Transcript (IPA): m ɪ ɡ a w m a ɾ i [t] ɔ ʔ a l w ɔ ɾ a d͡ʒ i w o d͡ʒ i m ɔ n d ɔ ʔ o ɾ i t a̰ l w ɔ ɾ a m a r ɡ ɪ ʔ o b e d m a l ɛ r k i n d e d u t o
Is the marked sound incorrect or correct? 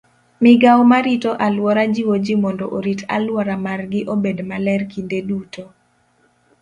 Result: correct